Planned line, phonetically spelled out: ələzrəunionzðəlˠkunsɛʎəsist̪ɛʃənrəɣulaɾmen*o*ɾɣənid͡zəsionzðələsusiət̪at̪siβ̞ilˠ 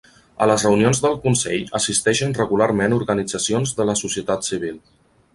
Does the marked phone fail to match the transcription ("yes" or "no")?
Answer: yes